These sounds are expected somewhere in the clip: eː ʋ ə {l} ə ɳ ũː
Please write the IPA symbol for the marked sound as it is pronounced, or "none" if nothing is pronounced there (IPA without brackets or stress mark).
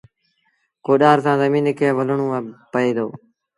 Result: l